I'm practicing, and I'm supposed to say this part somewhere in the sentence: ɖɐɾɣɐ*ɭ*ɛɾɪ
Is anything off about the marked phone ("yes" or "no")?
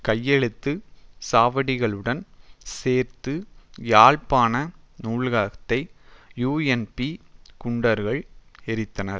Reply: no